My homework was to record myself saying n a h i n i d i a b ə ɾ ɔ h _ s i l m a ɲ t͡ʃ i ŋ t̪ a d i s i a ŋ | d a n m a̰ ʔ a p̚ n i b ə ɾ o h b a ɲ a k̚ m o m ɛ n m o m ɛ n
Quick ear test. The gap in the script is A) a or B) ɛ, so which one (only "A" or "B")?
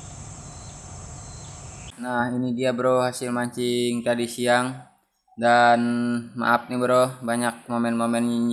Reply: A